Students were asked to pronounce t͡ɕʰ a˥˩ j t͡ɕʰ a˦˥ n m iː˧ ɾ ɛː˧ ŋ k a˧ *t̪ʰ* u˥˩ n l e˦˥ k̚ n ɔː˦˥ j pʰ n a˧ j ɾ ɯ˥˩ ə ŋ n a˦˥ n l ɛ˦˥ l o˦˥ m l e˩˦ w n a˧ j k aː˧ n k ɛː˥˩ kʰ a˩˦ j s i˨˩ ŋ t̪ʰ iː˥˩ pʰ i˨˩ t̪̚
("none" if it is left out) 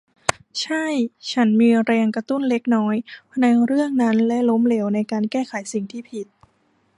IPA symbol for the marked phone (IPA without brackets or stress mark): t̪